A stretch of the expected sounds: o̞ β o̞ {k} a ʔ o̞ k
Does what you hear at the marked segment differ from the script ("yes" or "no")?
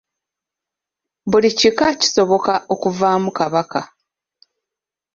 no